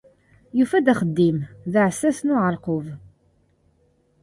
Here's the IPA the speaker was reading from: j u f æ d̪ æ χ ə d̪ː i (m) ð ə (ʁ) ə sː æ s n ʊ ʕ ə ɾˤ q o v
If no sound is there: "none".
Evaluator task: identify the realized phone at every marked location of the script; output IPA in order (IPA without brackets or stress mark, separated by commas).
m, ʕ